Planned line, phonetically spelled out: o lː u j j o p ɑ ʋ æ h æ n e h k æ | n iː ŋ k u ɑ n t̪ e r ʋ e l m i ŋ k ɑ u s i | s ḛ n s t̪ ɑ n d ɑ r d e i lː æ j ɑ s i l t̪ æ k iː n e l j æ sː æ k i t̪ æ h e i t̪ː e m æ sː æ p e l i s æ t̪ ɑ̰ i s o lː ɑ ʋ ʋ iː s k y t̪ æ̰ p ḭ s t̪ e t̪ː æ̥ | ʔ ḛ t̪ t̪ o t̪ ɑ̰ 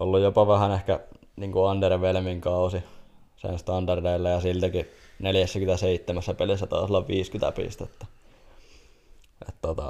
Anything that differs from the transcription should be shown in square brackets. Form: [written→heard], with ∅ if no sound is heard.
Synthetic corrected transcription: o lː u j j o p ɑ ʋ æ h æ n e h k æ | n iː ŋ k u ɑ n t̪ e r ʋ e l m i ŋ k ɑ u s i | s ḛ n s t̪ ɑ n d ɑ r d e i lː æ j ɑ s i l t̪ æ k [iː→i] n e l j æ sː æ k [i→y] t̪ æ [h→s] e i t̪ː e m æ sː æ p e l i [s→sː] æ t̪ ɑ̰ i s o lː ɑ ʋ ʋ iː s k y t̪ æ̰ p ḭ s t̪ e t̪ː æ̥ | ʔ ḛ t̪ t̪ o t̪ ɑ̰